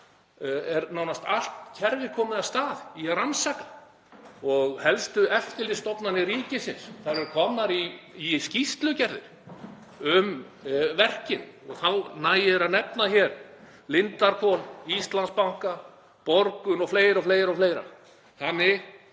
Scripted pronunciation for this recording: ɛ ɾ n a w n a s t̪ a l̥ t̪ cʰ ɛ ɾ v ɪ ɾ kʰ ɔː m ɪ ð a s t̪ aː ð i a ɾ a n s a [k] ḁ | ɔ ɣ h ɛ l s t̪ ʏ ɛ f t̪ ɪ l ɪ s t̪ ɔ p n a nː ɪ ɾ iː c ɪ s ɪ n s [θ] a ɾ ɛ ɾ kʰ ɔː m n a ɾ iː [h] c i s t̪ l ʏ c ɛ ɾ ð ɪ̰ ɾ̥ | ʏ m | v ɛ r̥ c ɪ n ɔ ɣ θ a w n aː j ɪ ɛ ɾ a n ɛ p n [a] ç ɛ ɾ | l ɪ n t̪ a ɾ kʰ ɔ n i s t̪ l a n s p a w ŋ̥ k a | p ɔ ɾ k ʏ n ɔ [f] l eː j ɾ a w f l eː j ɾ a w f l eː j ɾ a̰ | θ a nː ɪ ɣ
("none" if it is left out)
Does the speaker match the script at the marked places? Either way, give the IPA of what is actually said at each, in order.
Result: k, θ, s, a, f

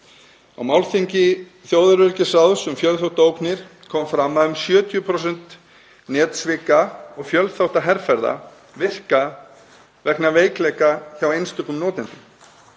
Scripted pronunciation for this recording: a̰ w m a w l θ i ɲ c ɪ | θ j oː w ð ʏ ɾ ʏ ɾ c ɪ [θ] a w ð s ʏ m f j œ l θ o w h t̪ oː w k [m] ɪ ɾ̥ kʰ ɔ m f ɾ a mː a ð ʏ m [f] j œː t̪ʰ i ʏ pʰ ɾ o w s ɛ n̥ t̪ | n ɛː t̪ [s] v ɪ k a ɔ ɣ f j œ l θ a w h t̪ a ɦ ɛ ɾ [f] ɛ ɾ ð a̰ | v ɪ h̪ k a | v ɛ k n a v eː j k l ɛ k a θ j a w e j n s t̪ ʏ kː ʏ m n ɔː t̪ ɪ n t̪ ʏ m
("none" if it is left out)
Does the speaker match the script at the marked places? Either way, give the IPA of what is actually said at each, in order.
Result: s, n, s, s, f

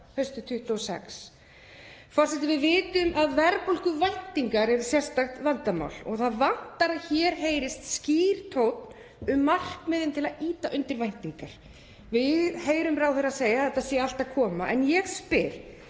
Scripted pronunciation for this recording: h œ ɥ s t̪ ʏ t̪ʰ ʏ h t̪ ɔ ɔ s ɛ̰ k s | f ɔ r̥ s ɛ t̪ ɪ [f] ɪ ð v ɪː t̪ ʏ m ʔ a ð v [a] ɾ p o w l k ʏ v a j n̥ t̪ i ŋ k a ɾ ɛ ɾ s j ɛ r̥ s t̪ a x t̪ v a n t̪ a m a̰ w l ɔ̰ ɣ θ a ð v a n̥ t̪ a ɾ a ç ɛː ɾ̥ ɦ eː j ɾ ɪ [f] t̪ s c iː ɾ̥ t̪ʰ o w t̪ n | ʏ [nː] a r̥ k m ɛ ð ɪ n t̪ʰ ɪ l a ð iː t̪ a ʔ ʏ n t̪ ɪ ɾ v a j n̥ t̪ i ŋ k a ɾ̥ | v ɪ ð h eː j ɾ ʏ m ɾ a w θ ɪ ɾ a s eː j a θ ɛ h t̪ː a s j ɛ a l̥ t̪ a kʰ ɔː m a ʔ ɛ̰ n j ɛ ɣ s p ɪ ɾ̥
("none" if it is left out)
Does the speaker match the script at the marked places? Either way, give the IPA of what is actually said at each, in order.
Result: v, ɛ, s, mː

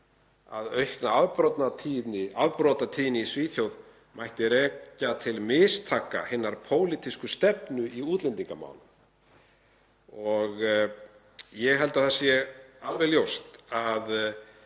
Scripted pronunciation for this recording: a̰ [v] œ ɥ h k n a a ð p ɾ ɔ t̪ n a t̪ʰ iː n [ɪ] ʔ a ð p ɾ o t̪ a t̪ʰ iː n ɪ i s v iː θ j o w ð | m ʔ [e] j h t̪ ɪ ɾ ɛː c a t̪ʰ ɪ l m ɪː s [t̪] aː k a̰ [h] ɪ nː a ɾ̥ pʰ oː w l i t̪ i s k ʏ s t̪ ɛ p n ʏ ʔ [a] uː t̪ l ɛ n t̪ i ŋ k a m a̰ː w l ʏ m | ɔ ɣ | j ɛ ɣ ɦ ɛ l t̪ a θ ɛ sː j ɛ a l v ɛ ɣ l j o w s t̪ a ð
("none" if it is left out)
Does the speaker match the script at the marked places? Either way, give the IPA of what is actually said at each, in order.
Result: ð, ɪ, a, t̪ʰ, h, i

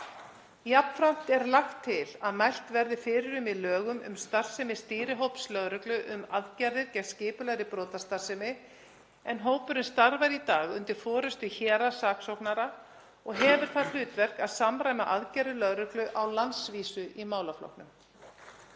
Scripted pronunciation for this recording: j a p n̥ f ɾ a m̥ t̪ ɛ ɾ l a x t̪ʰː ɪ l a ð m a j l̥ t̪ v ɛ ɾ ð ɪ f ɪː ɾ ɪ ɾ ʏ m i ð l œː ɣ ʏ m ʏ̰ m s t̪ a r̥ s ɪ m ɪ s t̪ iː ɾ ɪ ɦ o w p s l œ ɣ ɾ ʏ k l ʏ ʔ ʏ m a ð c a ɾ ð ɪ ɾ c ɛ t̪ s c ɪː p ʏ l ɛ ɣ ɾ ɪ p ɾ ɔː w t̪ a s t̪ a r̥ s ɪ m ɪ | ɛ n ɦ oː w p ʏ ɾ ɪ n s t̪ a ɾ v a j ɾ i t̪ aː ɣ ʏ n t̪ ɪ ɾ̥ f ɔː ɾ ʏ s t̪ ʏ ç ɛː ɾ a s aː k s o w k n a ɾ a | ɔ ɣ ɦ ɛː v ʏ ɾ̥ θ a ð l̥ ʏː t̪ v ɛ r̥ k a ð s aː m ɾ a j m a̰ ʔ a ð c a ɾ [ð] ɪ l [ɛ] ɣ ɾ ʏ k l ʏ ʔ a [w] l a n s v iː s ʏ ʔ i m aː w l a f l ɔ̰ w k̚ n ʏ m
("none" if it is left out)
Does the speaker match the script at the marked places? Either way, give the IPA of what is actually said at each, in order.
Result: ð, œ, w

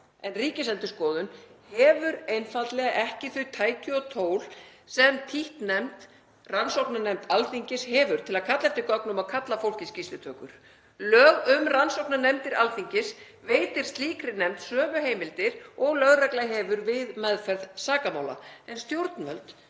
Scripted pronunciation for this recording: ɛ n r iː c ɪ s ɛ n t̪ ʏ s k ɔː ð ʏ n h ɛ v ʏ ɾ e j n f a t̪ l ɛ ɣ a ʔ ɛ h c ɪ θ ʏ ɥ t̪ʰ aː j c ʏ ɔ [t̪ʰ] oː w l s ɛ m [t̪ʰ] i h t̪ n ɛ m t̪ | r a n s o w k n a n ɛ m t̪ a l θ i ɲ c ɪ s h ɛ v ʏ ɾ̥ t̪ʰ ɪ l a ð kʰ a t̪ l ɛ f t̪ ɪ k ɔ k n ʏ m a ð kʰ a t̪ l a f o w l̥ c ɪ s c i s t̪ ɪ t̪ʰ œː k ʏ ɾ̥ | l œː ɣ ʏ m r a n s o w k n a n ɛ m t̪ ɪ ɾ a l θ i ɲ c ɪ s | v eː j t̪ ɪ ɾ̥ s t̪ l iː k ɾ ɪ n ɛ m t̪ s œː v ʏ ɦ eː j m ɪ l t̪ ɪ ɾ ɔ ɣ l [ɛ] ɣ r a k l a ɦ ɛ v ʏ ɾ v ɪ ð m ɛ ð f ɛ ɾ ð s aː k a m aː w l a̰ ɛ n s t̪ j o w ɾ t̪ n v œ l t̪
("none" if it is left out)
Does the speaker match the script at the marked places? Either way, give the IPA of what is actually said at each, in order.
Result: t̪ʰ, t̪ʰ, œ

